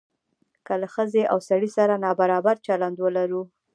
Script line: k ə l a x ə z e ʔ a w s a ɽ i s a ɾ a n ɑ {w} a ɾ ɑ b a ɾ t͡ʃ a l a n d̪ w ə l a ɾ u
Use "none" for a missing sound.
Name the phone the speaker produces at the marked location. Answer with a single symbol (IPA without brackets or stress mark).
b